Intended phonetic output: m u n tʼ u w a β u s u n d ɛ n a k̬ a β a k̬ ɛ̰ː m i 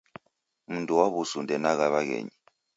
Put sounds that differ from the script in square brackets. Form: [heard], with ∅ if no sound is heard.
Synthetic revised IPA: m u n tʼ u w a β u s u n d ɛ n a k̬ a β a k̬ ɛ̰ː [ɲ] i